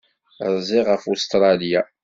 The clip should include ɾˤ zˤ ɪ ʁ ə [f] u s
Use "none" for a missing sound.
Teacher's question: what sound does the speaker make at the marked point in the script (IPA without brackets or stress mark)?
f